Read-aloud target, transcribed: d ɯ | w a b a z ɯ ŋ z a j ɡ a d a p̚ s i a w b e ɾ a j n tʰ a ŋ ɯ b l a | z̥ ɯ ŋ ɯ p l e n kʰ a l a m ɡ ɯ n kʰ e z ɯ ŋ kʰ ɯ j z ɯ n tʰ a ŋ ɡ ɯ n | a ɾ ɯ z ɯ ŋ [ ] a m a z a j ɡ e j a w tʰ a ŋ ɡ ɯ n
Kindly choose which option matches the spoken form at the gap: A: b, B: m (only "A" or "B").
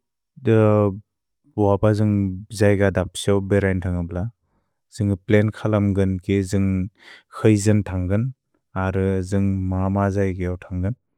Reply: B